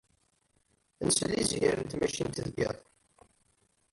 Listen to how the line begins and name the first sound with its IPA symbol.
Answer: n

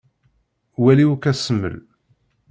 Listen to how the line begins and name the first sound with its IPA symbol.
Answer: w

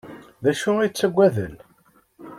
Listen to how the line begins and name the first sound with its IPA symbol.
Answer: ð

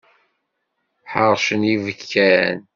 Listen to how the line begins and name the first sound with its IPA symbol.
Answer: ħ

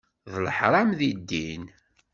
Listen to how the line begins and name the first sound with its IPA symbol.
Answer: ð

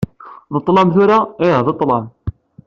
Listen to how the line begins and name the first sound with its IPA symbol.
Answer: ð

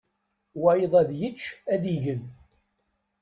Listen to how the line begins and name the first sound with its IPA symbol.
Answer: w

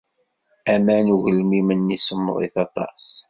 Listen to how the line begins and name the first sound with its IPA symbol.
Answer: æ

